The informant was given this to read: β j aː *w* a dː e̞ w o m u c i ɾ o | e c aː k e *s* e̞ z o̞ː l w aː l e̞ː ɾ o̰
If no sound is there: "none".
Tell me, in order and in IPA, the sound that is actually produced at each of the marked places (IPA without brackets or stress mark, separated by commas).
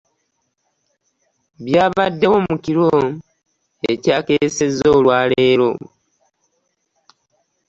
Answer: β, s